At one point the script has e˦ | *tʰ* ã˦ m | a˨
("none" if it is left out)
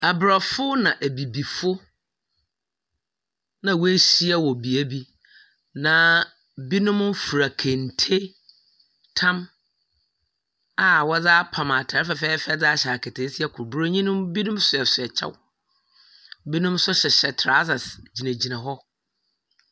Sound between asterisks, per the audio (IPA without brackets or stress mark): tʰ